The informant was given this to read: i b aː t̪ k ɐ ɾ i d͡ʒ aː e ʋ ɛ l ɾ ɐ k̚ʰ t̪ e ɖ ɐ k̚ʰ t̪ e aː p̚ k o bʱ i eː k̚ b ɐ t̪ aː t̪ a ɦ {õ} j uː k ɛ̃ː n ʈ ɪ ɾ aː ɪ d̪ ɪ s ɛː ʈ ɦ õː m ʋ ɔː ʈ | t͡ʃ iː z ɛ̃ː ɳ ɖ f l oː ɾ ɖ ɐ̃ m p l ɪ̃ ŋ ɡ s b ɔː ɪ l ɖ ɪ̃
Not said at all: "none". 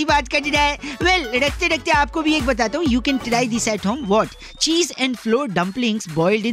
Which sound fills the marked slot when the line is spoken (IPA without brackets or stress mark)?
ũ